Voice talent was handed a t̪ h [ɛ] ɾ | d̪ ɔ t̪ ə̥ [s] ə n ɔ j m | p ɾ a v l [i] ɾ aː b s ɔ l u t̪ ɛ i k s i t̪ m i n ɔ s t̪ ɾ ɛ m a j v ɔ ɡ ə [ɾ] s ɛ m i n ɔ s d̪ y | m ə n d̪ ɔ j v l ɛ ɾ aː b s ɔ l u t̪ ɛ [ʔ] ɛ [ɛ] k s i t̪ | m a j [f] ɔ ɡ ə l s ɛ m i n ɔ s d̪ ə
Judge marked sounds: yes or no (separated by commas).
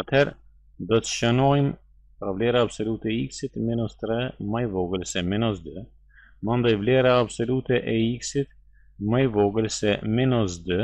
yes, no, no, no, yes, no, no